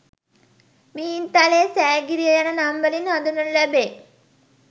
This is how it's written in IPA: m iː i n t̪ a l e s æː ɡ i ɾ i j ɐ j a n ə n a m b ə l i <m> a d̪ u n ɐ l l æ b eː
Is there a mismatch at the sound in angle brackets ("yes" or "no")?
yes